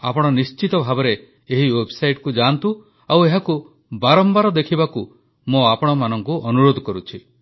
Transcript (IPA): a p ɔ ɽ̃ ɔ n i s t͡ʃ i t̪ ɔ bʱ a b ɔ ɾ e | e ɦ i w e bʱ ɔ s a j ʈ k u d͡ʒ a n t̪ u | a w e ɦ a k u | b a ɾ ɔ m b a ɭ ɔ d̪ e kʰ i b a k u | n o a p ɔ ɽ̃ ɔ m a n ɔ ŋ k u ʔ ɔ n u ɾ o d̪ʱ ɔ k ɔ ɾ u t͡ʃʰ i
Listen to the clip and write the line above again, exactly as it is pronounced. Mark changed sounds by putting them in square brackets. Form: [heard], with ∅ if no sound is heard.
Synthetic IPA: a p ɔ ɽ̃ ɔ n i s t͡ʃ i t̪ ɔ bʱ a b ɔ ɾ e | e ɦ i w e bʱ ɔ s a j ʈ k u d͡ʒ a n t̪ u | a w e ɦ a k u | b a ɾ ɔ m b a [ɾ] ɔ d̪ e kʰ i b a k u | [m] o a p ɔ ɽ̃ ɔ m a n ɔ ŋ k u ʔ ɔ n u ɾ o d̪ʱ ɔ k ɔ ɾ u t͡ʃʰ i